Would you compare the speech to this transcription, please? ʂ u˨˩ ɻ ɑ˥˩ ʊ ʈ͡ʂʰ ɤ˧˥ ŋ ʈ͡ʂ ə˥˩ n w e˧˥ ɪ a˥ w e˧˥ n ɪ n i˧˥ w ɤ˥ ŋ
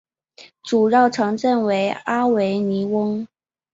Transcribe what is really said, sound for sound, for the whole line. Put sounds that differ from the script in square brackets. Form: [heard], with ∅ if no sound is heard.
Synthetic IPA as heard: [ʈ͡ʂ] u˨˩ ɻ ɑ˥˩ ʊ ʈ͡ʂʰ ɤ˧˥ ŋ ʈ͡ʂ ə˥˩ n w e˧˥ ɪ a˥ w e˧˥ [∅] ɪ n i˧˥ w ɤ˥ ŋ